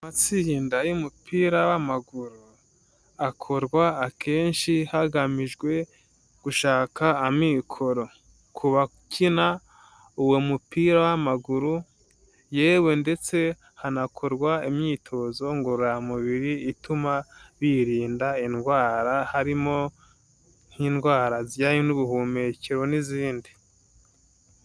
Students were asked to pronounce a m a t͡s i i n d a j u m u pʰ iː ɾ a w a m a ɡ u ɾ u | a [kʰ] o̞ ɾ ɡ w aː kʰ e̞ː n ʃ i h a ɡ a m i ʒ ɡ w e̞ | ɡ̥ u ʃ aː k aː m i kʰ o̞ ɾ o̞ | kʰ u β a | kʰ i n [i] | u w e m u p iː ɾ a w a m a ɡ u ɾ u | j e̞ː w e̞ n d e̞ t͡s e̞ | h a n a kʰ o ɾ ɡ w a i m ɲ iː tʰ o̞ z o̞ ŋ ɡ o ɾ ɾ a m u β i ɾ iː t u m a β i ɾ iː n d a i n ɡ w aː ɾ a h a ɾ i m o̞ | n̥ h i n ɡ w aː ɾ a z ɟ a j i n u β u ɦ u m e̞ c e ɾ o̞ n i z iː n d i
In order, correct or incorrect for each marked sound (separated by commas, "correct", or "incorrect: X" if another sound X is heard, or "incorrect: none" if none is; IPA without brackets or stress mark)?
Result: correct, incorrect: a